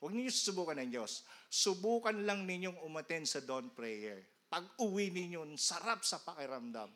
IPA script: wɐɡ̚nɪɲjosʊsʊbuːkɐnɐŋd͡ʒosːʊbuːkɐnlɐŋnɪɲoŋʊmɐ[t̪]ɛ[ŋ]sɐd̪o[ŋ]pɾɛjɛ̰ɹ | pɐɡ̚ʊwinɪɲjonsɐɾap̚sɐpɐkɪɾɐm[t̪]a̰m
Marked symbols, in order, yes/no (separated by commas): yes, no, no, no